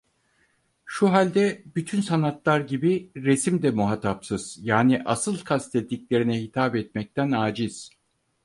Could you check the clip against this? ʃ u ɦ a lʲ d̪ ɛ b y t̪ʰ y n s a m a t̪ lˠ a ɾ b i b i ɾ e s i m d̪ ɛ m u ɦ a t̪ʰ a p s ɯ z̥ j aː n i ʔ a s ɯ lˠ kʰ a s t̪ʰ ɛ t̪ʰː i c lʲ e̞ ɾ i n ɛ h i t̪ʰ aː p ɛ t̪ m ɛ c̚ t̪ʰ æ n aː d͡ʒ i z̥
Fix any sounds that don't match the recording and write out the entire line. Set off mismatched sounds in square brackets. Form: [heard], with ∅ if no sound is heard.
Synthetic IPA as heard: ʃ u ɦ a lʲ d̪ ɛ b y t̪ʰ y n s a [n] a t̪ lˠ a ɾ [ɟ] i b i ɾ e s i m d̪ ɛ m u ɦ a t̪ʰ a p s ɯ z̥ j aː n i ʔ a s ɯ lˠ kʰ a s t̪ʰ ɛ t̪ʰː i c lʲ e̞ ɾ i n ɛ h i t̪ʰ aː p ɛ t̪ m ɛ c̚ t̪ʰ æ n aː d͡ʒ i z̥